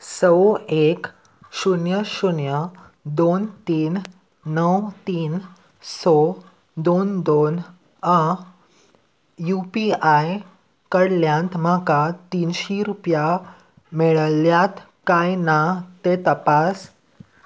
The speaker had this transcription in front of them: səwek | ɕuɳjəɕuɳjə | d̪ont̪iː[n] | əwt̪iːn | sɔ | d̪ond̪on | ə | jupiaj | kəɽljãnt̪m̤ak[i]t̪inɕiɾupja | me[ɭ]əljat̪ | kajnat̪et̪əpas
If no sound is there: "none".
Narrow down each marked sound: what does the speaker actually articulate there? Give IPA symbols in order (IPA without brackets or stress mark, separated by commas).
nː, a, ɭ